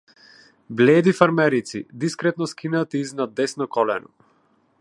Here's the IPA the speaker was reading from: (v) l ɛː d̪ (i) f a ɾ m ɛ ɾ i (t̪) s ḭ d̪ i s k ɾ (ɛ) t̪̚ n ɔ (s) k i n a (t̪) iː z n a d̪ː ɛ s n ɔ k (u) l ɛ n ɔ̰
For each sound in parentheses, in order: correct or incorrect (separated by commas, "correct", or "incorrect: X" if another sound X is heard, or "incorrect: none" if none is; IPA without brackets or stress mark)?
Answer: incorrect: b, correct, correct, correct, correct, correct, incorrect: ɔ